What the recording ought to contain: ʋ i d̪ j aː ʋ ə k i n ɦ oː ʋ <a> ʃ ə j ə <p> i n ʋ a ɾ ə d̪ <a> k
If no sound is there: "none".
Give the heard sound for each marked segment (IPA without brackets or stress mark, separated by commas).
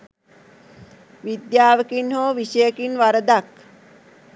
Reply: i, k, a